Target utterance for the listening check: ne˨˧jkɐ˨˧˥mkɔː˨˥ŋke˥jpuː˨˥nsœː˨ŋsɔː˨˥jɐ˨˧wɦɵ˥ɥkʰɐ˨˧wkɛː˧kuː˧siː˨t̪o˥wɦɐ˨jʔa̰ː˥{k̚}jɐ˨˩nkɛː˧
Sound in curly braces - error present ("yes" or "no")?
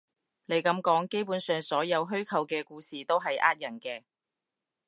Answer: yes